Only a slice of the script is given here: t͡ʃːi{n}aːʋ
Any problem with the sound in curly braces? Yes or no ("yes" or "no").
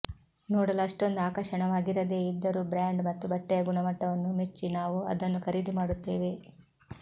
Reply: no